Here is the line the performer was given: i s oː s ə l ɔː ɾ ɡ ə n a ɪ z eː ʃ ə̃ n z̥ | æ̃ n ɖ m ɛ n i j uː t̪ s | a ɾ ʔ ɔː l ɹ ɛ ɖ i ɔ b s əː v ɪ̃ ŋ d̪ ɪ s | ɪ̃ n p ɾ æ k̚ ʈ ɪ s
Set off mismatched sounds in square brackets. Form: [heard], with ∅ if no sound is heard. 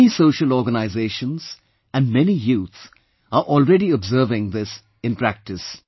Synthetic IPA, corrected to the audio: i s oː [ʃ] ə l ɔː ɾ ɡ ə n a ɪ z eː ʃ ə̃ n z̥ | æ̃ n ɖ m ɛ n i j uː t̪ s | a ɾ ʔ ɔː l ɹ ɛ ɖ i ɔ b [z] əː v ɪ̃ ŋ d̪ ɪ s | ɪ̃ n p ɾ æ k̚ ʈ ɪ s